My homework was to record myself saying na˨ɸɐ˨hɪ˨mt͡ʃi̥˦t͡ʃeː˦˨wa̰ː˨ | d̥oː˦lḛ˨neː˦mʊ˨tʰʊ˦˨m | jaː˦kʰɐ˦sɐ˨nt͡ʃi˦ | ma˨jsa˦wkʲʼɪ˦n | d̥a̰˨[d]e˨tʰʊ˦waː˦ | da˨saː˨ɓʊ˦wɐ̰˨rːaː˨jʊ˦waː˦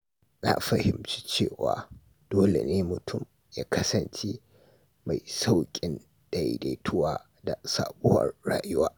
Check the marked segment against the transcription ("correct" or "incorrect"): correct